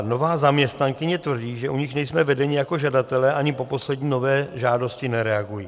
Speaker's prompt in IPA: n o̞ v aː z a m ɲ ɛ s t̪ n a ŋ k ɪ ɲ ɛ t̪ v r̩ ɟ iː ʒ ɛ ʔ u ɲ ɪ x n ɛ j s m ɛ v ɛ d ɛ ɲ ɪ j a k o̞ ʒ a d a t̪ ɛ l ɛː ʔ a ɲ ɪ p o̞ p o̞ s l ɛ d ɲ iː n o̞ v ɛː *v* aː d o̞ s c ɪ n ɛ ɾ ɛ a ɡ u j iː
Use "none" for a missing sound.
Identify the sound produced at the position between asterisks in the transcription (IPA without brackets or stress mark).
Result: ʒ